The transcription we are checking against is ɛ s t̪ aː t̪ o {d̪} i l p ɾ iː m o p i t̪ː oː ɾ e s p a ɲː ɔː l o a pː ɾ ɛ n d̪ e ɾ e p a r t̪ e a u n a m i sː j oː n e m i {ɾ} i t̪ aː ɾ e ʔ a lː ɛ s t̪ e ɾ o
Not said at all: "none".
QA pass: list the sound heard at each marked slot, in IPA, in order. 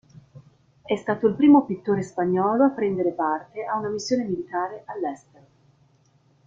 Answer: none, l

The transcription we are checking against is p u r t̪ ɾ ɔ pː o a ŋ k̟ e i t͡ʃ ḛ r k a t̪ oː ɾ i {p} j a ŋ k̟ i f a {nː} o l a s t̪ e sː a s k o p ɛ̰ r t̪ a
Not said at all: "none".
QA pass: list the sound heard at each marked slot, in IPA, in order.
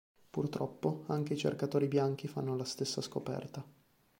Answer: b, nː

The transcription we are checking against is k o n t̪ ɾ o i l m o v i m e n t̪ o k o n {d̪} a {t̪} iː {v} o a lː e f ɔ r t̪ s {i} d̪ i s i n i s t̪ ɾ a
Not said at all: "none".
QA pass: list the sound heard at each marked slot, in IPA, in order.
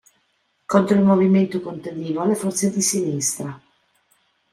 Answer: t̪, d̪, v, e

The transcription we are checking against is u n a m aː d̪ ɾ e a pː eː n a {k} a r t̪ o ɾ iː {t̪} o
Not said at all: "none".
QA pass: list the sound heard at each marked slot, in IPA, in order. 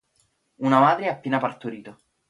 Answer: p, t̪

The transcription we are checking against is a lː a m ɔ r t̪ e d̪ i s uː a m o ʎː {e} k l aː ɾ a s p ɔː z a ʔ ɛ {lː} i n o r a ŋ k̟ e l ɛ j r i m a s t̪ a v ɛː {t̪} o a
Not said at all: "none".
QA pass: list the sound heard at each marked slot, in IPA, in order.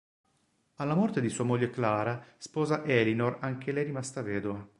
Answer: e, l, d̪

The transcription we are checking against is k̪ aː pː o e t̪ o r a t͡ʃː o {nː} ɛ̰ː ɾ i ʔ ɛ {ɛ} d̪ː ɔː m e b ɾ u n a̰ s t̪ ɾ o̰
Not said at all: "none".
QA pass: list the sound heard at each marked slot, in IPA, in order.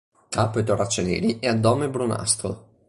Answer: n, a

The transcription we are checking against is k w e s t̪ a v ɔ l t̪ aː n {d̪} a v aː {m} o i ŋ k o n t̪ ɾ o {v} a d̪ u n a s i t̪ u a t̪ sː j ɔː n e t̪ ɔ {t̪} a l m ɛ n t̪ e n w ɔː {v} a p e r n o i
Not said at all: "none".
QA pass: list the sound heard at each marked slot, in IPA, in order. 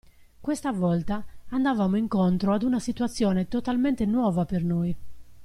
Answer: d̪, m, none, t̪, v

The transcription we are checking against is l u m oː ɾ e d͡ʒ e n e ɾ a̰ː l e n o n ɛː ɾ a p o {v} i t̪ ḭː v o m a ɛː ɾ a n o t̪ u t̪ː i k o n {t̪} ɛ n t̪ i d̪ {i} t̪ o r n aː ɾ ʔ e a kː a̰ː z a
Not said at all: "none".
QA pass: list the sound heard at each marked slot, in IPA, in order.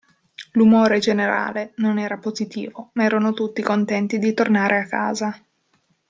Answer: z, t̪, i

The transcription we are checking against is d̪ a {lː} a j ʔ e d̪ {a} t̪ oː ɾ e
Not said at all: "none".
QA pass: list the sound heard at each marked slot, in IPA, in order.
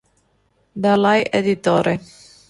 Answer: l, i

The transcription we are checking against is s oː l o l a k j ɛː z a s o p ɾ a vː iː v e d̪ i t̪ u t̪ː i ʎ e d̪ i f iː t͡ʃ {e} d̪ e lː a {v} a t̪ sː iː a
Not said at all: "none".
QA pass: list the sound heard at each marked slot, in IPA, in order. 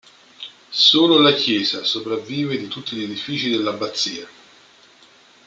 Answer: i, b

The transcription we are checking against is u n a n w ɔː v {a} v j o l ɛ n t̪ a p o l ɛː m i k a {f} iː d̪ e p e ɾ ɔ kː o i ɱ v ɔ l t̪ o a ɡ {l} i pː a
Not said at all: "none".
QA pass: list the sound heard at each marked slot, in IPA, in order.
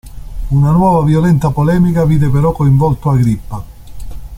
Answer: a, v, ɾ

